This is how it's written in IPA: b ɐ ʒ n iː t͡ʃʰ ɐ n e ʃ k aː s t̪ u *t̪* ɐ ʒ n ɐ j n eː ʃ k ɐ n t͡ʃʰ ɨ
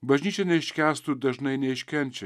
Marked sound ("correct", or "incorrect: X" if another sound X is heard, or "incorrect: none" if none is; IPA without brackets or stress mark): incorrect: d̪